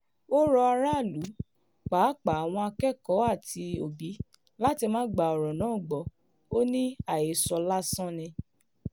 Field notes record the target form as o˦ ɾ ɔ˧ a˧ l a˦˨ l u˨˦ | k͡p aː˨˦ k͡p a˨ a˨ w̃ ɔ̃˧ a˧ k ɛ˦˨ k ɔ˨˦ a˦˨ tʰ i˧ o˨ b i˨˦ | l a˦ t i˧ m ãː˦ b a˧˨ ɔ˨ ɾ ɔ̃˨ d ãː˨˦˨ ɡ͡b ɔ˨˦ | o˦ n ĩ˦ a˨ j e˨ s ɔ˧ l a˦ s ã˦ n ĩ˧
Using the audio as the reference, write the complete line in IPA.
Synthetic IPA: o˦ ɾ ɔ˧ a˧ ɾ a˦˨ l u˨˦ | k͡p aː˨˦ k͡p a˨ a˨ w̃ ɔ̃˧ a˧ k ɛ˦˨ k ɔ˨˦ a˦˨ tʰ i˧ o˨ b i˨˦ | l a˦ t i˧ m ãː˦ ɡ͡b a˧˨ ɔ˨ ɾ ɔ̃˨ n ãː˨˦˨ ɡ͡b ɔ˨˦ | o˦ n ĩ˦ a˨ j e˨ s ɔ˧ l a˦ s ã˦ n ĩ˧